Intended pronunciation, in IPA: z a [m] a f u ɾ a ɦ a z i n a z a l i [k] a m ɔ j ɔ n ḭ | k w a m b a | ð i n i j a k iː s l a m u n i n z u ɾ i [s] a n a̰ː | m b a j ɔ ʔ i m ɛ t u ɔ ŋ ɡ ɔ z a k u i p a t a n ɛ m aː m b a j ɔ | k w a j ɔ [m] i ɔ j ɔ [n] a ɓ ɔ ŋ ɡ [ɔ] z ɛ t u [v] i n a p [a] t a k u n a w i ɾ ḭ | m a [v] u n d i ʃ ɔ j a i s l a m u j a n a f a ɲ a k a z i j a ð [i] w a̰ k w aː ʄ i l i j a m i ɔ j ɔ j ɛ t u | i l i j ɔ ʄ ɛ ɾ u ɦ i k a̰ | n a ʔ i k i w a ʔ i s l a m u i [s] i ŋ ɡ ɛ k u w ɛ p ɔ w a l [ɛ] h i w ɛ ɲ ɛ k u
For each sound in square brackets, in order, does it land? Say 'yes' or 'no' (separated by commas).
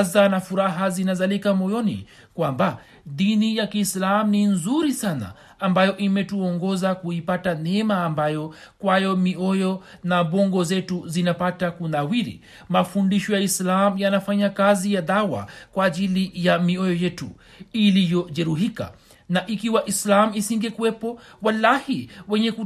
no, yes, yes, yes, yes, yes, no, yes, no, no, yes, no